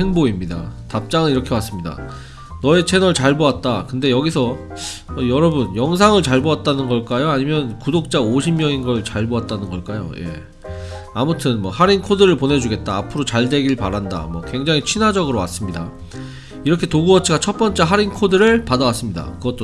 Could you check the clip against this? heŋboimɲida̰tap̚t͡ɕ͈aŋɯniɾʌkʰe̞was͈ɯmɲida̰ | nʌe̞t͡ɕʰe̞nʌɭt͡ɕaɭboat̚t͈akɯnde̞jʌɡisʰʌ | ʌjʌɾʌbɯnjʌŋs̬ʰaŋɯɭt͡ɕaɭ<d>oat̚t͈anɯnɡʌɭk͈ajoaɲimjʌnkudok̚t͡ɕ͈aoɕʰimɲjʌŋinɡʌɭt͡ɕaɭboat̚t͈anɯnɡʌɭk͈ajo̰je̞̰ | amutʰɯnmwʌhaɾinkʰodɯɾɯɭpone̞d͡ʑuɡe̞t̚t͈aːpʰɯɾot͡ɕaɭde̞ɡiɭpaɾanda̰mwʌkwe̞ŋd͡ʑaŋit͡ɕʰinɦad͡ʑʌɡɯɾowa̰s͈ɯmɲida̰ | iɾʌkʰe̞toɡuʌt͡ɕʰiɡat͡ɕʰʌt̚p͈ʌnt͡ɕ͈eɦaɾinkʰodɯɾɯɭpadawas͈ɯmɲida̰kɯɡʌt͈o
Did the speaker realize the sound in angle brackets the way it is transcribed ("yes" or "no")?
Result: no